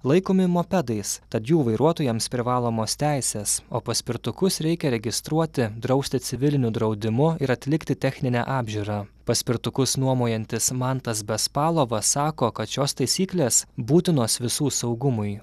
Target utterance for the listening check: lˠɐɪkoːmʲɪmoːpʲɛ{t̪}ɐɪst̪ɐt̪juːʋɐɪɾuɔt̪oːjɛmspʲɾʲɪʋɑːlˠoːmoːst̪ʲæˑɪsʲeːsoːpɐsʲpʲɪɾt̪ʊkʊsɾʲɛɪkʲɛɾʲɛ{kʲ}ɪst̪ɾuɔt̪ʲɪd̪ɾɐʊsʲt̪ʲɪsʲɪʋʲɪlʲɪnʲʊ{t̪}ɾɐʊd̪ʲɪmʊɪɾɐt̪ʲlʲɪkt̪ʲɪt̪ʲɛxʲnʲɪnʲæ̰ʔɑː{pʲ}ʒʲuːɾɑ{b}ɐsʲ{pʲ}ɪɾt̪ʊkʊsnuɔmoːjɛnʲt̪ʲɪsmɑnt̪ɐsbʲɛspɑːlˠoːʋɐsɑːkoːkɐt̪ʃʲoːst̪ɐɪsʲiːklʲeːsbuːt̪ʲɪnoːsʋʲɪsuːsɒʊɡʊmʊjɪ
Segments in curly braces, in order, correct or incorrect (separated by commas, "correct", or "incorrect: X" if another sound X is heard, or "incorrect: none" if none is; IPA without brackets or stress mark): incorrect: d̪, incorrect: ɡʲ, incorrect: d̪, incorrect: bʲ, incorrect: p, correct